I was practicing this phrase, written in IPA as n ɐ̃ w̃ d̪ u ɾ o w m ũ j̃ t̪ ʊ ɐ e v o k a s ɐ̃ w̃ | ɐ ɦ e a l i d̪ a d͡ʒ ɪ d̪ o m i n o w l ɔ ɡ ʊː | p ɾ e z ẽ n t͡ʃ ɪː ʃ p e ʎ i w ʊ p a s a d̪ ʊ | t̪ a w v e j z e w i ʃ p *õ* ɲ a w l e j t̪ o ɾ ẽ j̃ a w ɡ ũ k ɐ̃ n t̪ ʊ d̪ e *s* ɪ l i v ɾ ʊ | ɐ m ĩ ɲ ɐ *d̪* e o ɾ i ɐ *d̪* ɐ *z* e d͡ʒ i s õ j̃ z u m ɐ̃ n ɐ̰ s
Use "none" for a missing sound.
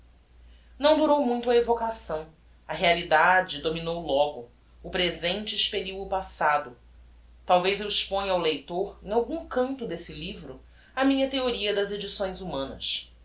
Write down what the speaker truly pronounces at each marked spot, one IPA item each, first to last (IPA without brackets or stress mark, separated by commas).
õ, s, t̪, d̪, z